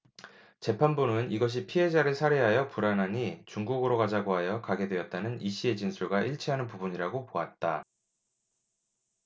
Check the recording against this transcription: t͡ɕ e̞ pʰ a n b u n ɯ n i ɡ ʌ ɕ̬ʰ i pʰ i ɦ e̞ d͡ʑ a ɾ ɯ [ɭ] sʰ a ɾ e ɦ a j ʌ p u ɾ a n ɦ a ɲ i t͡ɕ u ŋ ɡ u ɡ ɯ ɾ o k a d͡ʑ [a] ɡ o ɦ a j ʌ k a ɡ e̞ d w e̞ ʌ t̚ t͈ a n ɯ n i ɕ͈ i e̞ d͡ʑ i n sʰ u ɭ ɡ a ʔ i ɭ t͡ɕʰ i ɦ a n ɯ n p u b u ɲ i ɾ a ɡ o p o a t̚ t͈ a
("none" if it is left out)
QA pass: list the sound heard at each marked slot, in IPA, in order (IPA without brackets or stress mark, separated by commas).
ɭ, a